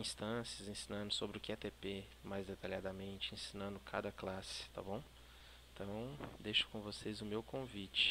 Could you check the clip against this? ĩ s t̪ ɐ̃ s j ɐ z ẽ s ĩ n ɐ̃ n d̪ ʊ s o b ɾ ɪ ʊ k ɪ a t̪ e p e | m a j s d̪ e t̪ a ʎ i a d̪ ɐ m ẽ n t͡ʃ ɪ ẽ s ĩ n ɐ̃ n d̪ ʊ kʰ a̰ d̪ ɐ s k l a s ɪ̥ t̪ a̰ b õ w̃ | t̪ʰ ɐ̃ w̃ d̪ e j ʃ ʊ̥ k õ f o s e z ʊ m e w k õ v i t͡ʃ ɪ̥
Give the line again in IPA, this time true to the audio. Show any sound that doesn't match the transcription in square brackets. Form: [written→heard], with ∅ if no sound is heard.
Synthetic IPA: ĩ s t̪ ɐ̃ s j ɐ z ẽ s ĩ n ɐ̃ n d̪ ʊ s o b ɾ ɪ ʊ k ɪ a t̪ e p e | m a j [s→z] d̪ e t̪ a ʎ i a d̪ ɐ m ẽ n t͡ʃ ɪ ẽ s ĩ n ɐ̃ n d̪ ʊ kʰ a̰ d̪ ɐ [s→∅] k l a s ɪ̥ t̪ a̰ b õ w̃ | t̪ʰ ɐ̃ w̃ d̪ e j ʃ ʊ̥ k õ [f→v] o s e z ʊ m e w k õ v i t͡ʃ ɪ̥